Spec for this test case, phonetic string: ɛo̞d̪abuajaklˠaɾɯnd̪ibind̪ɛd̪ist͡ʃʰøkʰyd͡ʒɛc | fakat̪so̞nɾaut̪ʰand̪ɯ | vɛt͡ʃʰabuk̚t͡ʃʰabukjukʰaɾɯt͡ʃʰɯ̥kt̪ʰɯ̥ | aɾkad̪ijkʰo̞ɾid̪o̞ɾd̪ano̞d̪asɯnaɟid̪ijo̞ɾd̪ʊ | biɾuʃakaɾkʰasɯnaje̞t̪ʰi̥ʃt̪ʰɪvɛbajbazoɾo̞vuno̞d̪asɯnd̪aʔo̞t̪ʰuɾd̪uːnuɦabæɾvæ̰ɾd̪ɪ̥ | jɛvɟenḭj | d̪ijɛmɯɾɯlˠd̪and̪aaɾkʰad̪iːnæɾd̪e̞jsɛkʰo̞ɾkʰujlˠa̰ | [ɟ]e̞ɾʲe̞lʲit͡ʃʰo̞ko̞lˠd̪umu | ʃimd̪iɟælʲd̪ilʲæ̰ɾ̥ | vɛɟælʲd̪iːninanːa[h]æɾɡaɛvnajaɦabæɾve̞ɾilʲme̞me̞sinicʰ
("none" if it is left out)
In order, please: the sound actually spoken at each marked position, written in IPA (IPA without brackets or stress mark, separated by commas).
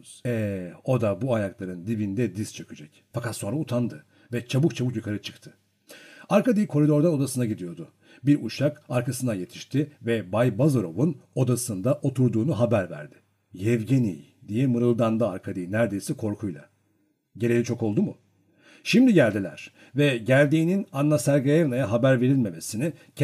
ɟ, s